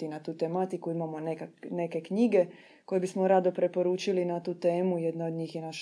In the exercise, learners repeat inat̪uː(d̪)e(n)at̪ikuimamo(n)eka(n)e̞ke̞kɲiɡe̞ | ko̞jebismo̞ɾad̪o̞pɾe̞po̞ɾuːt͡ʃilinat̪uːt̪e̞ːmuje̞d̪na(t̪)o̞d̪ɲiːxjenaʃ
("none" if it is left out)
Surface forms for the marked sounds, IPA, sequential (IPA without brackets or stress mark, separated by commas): t̪, m, n, n, none